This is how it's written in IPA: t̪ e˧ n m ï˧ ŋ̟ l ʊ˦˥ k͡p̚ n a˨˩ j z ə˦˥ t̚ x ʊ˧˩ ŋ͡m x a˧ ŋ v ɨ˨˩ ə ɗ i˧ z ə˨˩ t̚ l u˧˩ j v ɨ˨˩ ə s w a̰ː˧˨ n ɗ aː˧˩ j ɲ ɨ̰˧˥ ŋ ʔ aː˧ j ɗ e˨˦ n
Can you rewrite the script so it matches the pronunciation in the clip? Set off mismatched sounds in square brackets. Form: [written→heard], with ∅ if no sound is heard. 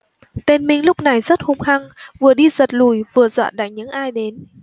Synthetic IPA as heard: t̪ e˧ n m ï˧ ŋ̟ l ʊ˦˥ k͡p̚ n a˨˩ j z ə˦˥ t̚ [x→h] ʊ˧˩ ŋ͡m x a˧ ŋ v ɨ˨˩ ə ɗ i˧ z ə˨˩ t̚ l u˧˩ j v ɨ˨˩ ə [s→z] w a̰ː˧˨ n ɗ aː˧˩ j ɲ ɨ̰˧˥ ŋ ʔ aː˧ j ɗ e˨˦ n